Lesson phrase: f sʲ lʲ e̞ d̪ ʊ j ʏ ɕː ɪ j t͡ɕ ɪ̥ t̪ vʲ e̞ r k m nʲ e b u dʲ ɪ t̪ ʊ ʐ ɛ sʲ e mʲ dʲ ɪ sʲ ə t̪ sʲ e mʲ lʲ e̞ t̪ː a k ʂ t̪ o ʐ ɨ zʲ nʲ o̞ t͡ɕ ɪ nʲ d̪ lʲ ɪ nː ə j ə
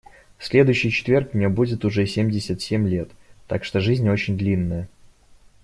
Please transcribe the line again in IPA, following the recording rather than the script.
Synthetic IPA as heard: f sʲ lʲ e̞ d̪ ʊ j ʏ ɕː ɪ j t͡ɕ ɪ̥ t̪ vʲ e̞ r k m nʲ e b u dʲ ɪ t̪ ʊ ʐ ɛ sʲ e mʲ dʲ ɪ sʲ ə t̪ sʲ e mʲ lʲ e̞ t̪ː a k ʂ t̪ o ʐ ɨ zʲ nʲ o̞ t͡ɕ ɪ nʲ d̪ lʲ i nː ə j ə